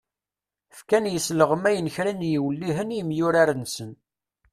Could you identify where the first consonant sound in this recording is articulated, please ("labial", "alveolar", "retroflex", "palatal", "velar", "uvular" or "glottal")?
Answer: labial